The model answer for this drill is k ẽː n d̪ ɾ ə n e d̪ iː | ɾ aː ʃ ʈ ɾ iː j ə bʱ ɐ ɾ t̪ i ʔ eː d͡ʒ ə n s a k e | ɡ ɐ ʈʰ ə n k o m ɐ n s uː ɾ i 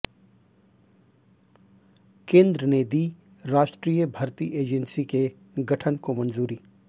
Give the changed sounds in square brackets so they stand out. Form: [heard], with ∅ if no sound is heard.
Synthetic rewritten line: k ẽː n d̪ ɾ ə n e d̪ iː | ɾ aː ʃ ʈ ɾ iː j ə bʱ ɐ ɾ t̪ i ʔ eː d͡ʒ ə n s [i] k e | ɡ ɐ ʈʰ ə n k o m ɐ n [z] uː ɾ i